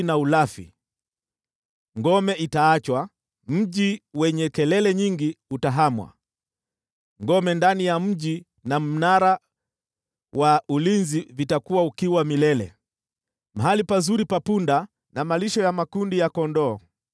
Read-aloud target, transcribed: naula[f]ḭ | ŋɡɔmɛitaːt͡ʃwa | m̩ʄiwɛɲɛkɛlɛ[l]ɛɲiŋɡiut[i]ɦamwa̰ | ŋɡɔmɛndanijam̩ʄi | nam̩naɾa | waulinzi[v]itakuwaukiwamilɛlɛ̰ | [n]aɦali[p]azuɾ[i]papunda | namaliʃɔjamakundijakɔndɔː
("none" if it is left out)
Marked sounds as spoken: f, l, a, v, m, p, i

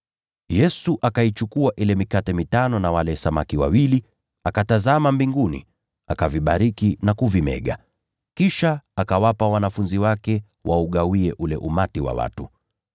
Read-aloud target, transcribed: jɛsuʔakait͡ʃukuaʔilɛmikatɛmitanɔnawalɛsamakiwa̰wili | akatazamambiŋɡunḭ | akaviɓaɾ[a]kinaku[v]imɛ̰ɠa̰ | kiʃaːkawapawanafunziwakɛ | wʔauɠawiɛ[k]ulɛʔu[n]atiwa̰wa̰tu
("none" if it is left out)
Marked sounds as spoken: i, v, ʔ, m

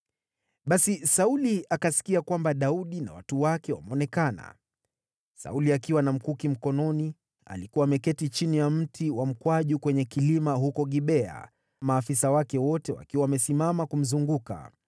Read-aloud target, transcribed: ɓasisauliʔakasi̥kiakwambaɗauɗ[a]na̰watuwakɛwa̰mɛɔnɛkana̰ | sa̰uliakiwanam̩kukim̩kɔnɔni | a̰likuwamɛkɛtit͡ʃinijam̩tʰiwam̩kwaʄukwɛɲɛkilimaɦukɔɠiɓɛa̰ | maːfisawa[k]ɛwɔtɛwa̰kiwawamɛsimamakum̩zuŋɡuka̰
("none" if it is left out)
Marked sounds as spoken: i, k

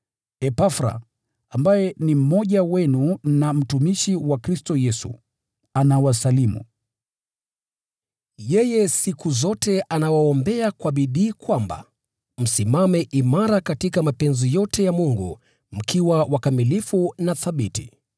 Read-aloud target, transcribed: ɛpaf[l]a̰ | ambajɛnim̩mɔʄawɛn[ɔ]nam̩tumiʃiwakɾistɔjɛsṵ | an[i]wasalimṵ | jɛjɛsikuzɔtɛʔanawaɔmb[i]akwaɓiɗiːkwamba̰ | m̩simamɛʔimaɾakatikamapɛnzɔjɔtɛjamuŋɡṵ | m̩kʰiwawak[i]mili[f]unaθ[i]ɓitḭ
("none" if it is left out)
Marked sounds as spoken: ɾ, u, a, ɛ, a, f, a

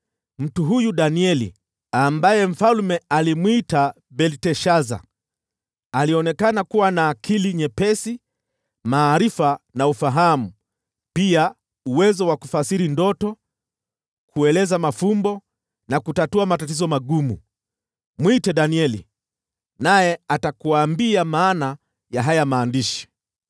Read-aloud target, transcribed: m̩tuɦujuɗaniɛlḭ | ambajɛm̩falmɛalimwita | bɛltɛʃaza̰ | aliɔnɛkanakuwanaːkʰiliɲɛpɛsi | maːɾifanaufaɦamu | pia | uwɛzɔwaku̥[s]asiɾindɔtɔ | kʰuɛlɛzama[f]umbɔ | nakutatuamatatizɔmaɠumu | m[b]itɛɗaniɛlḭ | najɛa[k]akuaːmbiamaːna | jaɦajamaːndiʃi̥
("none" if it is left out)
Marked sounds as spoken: f, f, w, t

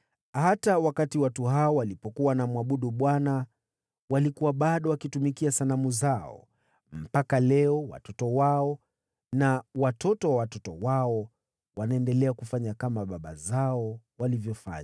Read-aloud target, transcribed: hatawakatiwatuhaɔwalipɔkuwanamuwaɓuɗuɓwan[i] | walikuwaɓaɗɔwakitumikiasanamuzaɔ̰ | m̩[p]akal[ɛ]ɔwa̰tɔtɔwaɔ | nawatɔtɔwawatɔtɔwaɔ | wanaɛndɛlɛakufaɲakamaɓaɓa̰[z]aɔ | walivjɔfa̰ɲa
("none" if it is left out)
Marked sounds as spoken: a, p, ɛ, z

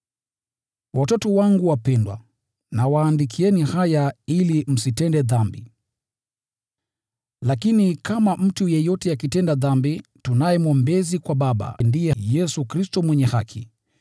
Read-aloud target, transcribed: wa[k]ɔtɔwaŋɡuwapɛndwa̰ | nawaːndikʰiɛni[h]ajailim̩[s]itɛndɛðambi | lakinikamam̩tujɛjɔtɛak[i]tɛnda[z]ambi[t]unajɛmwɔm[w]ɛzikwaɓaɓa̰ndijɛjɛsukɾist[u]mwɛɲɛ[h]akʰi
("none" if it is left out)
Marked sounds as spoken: t, h, s, i, ð, t, b, ɔ, h

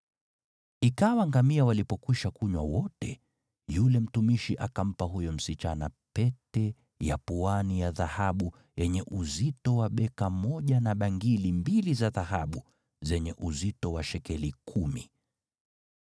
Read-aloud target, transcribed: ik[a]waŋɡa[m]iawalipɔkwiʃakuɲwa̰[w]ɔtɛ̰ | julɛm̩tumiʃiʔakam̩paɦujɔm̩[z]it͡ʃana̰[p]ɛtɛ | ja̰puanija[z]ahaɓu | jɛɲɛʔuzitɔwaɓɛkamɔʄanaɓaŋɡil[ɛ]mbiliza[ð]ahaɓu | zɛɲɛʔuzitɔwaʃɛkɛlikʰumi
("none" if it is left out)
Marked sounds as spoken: a, m, w, s, p, ð, i, ð

